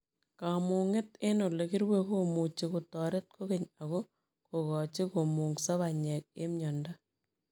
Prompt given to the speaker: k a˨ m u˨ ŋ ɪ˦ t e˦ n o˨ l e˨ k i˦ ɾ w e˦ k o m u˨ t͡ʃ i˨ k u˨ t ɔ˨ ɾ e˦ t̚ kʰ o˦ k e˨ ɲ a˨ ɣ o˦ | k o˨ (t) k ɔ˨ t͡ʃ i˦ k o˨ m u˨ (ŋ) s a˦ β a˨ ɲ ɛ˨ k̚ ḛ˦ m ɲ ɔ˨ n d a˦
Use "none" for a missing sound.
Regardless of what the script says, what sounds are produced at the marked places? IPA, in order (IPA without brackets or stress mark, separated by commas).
none, ŋ